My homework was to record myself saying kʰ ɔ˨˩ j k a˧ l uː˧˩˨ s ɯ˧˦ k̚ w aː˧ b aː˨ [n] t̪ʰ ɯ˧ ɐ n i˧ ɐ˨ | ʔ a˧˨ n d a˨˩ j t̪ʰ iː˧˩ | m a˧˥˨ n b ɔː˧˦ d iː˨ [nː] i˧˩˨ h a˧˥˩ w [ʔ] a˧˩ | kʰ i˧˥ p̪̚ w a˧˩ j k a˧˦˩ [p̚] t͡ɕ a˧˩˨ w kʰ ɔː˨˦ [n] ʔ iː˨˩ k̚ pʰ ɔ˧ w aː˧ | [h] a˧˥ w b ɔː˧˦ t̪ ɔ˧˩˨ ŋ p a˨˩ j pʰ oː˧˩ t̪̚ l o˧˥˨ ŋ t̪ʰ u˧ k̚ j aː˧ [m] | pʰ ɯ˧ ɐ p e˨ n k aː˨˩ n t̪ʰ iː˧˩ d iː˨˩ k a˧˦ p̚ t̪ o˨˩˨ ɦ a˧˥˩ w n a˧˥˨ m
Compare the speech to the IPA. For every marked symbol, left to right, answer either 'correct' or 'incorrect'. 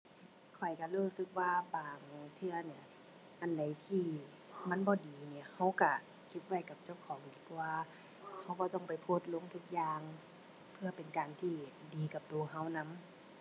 incorrect, incorrect, incorrect, correct, incorrect, correct, incorrect

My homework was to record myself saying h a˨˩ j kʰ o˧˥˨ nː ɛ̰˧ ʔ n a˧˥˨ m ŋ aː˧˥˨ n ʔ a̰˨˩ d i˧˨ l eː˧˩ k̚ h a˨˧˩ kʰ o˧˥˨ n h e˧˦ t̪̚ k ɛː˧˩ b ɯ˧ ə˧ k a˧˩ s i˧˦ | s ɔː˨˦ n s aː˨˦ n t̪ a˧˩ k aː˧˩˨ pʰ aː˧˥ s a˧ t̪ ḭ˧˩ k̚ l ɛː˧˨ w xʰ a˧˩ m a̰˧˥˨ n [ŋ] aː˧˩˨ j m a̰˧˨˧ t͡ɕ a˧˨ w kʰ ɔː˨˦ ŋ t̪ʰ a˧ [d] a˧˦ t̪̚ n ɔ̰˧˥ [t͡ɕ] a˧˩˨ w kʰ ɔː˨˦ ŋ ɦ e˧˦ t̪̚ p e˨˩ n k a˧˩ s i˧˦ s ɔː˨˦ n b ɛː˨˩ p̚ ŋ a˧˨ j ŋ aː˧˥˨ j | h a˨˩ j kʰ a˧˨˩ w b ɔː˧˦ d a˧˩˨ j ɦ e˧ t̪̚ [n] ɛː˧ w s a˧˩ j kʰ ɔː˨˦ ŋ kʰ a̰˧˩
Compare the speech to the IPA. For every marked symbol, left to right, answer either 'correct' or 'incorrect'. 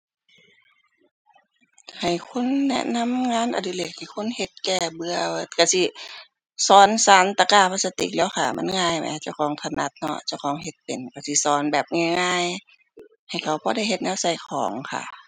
correct, incorrect, correct, correct

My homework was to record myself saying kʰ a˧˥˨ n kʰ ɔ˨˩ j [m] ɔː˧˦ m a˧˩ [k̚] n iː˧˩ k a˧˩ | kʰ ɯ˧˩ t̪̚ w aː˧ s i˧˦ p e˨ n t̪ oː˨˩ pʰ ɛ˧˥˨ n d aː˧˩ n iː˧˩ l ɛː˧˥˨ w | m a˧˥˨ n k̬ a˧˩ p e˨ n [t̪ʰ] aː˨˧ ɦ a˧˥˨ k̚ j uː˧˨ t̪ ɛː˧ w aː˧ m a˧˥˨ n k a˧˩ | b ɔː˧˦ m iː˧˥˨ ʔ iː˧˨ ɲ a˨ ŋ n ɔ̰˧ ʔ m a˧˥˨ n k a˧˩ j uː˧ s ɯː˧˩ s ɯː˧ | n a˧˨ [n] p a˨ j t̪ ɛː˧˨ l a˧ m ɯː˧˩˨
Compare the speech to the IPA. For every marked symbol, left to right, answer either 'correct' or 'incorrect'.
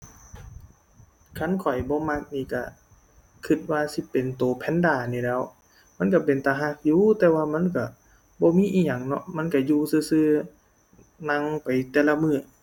incorrect, correct, incorrect, incorrect

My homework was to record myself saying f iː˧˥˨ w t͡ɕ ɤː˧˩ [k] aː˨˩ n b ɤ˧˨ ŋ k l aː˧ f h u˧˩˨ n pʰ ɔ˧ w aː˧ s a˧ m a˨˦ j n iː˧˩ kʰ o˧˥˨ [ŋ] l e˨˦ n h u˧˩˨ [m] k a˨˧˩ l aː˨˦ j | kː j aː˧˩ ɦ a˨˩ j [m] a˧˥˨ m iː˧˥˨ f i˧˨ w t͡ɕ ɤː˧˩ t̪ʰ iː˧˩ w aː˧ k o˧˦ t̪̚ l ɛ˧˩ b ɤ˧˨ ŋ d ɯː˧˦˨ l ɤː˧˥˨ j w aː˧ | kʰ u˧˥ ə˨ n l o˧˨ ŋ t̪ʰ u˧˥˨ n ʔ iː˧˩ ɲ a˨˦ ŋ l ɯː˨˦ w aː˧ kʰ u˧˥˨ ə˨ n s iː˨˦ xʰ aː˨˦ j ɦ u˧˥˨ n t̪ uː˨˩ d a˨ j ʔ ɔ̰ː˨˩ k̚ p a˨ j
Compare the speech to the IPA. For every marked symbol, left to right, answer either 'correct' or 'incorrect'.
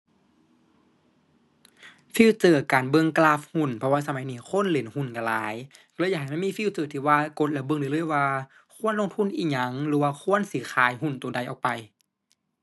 correct, incorrect, incorrect, correct

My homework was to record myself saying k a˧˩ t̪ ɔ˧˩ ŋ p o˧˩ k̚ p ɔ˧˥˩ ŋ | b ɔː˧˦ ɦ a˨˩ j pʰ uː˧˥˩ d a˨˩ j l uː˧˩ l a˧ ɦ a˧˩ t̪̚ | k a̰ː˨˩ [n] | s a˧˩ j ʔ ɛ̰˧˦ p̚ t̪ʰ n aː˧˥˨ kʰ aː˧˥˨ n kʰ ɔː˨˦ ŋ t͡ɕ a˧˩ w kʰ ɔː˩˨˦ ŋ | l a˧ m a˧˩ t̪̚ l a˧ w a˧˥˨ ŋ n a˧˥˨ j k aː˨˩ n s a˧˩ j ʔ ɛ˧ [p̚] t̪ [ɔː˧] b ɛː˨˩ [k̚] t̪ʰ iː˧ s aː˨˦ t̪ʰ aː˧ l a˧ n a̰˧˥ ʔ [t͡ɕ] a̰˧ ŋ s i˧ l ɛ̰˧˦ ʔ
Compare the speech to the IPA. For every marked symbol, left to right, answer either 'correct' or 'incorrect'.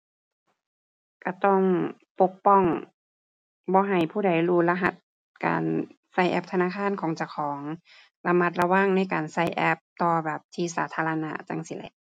correct, correct, correct, incorrect, correct

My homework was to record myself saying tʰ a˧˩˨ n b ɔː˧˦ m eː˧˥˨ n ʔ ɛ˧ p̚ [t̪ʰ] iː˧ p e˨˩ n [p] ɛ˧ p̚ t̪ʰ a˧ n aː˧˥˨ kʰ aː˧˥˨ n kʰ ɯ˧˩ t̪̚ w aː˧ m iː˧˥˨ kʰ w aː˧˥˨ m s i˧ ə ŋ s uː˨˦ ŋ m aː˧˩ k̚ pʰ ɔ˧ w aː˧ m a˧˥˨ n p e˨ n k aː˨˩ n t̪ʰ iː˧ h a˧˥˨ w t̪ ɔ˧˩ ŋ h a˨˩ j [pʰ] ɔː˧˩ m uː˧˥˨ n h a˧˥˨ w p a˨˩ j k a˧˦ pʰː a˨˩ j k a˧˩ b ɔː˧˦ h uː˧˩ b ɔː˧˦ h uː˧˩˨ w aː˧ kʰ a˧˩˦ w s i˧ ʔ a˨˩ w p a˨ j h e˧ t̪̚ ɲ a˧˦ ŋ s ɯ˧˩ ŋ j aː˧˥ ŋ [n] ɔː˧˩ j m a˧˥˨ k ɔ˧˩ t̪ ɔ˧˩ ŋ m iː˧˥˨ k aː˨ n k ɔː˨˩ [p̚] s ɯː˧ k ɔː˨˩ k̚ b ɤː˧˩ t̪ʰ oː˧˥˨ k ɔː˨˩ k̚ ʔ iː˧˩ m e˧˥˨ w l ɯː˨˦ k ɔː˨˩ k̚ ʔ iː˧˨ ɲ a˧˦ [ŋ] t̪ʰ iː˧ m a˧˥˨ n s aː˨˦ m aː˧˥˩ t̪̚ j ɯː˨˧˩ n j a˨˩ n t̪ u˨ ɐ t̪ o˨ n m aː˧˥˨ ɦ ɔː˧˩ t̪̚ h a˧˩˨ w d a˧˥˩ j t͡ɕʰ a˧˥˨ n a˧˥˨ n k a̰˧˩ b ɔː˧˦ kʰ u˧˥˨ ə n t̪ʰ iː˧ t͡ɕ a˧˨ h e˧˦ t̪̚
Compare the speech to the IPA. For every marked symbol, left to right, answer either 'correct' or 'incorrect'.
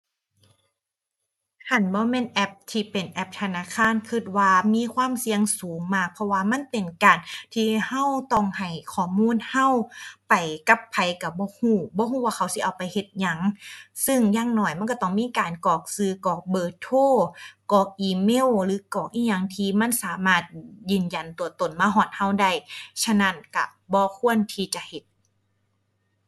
correct, incorrect, incorrect, correct, incorrect, correct

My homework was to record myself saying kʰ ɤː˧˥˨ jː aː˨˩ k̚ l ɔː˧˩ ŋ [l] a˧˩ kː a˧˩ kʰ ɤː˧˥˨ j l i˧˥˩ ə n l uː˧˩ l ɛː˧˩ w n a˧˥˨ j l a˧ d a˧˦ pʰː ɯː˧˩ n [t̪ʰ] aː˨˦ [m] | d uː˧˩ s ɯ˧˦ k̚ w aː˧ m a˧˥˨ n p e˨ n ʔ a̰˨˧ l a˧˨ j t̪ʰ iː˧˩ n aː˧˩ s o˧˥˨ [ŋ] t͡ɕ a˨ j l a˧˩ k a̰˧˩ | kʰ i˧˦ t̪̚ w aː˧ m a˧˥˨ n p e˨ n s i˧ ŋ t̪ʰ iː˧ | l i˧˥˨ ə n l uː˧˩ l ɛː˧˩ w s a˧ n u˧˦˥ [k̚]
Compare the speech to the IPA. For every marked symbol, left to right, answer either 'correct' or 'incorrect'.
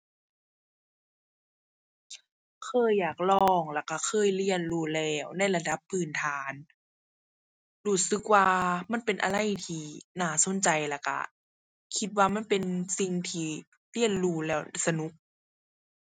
correct, correct, incorrect, incorrect, correct

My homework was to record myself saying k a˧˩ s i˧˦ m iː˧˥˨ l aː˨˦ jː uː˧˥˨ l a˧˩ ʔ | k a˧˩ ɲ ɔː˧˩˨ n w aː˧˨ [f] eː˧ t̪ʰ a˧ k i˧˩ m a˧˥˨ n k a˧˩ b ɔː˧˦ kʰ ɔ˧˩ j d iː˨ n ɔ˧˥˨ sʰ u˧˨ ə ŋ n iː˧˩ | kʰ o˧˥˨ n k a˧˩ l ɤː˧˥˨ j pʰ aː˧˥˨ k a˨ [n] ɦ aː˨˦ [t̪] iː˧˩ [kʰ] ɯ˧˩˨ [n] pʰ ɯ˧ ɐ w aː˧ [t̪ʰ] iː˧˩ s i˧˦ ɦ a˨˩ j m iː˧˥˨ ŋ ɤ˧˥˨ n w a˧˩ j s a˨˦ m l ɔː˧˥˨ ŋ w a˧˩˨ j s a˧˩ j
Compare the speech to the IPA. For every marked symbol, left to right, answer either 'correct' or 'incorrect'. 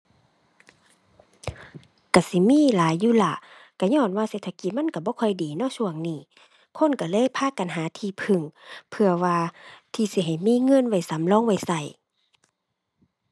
incorrect, correct, incorrect, incorrect, incorrect, correct

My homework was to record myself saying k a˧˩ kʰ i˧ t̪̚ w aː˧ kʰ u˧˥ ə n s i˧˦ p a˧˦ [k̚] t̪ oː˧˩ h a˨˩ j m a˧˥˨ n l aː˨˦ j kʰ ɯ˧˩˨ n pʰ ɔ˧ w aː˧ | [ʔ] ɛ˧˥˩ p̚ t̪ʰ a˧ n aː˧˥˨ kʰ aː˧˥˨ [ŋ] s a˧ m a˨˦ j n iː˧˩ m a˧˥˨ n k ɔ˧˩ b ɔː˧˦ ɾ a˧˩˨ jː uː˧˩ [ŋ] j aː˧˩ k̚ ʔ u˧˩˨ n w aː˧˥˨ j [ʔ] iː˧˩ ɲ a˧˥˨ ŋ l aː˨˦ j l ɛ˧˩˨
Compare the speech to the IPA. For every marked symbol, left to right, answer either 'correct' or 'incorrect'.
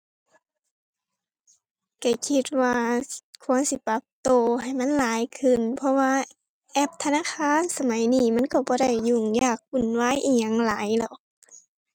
incorrect, correct, incorrect, correct, correct

